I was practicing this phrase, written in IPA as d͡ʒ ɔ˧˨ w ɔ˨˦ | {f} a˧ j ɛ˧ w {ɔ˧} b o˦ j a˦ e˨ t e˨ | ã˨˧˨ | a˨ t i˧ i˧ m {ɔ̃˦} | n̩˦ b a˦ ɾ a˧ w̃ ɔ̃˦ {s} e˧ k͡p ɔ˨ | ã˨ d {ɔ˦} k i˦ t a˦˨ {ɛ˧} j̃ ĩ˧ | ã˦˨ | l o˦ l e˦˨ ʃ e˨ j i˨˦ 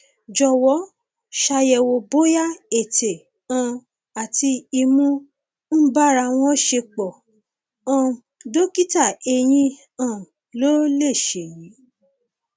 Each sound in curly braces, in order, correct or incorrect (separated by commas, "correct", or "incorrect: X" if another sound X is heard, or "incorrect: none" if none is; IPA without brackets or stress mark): incorrect: ʃ, incorrect: o˧, incorrect: ũ˦, incorrect: ʃ, incorrect: o˦, incorrect: e˧